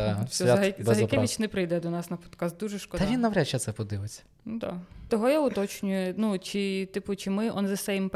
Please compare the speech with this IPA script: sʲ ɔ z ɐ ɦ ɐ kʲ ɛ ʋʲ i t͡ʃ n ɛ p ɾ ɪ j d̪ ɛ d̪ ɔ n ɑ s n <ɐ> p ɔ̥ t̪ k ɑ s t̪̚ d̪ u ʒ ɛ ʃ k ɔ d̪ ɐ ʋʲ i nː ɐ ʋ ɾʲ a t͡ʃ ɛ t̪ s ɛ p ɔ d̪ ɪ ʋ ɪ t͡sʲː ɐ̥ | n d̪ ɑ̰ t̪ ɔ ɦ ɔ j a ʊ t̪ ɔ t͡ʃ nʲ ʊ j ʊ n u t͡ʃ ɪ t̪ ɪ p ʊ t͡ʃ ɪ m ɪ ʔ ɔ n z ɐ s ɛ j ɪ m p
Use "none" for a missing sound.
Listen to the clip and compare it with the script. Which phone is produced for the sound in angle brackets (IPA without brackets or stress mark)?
ɐ